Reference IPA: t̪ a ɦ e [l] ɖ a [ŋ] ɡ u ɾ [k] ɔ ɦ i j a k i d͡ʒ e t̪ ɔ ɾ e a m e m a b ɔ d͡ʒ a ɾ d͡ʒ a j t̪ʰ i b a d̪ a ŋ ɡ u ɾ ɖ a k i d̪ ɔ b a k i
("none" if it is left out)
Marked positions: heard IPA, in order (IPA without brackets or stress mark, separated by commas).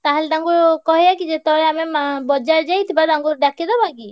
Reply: l, ŋ, k